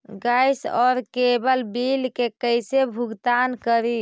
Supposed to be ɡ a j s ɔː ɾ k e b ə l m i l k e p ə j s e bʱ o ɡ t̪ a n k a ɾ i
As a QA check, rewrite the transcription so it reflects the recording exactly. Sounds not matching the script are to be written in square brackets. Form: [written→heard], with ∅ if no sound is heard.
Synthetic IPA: ɡ a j s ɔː ɾ k e b ə l [m→b] i l k e [p→k] ə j s e bʱ [o→u] ɡ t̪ a n k [a→ə] ɾ i